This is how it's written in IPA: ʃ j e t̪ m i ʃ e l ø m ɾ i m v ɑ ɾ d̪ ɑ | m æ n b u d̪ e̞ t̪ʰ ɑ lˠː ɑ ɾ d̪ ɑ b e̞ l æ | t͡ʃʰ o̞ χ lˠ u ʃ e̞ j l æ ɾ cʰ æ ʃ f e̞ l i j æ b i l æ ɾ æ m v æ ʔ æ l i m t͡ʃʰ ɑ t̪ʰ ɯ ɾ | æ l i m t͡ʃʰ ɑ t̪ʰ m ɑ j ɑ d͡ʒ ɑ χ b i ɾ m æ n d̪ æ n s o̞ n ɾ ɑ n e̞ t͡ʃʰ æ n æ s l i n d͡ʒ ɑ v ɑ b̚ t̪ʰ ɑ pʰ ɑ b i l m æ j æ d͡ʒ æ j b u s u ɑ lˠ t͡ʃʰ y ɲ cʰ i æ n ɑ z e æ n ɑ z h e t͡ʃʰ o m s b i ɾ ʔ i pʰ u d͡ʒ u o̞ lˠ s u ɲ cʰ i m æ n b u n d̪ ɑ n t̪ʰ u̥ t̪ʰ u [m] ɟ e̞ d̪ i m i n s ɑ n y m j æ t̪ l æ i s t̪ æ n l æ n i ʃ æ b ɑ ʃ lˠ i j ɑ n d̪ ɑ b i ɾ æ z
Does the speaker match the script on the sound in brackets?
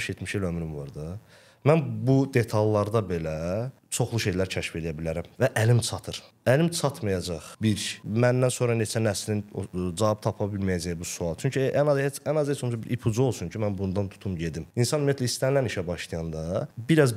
yes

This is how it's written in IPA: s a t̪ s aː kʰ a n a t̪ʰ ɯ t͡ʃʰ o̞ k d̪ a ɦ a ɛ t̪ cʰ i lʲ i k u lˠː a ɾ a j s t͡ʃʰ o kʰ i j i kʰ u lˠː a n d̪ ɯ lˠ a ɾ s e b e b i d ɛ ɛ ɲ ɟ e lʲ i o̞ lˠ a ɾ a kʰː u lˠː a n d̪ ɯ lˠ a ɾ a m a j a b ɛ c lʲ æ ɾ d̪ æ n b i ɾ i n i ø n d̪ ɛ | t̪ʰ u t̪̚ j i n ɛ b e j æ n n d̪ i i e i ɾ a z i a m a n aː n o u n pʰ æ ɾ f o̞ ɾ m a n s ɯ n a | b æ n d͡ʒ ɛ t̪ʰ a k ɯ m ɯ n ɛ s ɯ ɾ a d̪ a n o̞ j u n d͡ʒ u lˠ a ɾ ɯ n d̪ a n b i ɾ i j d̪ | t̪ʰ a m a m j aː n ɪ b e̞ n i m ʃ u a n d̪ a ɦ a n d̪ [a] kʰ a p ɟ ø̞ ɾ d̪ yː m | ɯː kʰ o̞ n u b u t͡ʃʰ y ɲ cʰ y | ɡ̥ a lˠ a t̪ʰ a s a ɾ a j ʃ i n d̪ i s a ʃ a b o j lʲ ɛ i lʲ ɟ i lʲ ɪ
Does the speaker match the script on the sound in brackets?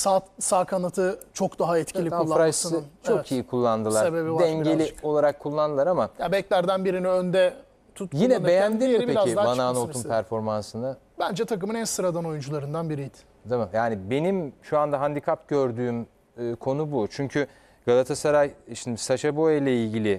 no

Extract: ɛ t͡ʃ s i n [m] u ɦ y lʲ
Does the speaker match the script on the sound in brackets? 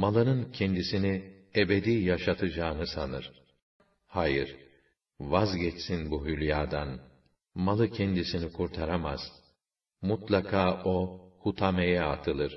no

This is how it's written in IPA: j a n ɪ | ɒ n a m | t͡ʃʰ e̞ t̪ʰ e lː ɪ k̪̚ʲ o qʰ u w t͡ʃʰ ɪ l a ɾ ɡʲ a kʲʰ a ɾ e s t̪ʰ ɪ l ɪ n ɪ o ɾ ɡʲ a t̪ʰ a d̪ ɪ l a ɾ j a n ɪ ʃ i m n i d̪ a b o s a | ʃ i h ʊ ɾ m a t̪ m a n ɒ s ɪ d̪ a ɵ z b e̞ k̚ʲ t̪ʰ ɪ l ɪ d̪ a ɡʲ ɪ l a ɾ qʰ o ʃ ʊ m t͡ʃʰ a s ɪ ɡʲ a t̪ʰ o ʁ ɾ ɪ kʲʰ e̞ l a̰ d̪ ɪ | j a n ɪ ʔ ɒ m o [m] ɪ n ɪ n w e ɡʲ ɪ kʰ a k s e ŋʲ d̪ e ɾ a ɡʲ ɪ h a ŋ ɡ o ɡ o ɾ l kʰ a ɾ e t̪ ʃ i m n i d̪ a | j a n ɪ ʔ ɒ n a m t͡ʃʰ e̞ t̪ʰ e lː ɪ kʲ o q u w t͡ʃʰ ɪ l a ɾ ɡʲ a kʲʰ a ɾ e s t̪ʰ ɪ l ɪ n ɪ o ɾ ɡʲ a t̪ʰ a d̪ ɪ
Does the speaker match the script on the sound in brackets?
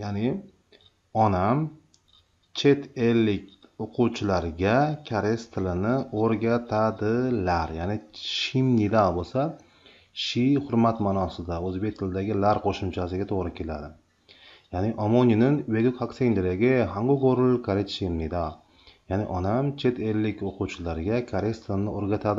no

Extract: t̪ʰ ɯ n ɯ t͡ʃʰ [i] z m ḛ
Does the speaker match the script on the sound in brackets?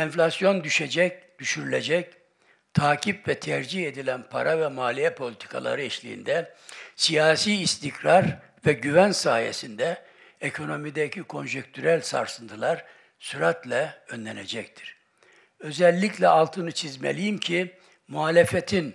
yes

